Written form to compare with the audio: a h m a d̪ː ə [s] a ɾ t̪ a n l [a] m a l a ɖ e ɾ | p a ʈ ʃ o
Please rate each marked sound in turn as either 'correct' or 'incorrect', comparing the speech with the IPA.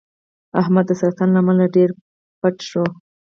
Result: correct, correct

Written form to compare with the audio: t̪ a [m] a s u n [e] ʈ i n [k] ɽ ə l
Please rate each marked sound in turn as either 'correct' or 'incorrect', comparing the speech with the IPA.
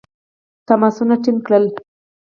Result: correct, incorrect, correct

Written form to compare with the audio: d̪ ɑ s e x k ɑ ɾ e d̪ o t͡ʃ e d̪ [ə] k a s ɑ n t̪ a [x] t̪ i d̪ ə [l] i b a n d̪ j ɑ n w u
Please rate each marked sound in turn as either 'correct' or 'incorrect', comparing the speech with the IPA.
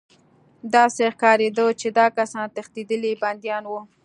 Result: incorrect, correct, correct

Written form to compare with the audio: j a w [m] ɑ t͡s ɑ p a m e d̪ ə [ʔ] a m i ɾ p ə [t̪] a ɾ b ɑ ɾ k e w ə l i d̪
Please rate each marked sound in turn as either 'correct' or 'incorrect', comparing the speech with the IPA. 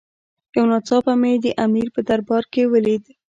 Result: incorrect, correct, incorrect

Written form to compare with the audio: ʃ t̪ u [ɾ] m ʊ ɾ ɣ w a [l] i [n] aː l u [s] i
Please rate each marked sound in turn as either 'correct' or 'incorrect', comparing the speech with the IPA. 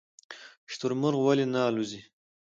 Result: correct, correct, correct, incorrect

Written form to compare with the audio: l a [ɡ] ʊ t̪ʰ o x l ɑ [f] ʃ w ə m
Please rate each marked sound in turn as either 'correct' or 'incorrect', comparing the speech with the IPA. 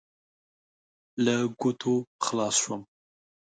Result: correct, incorrect

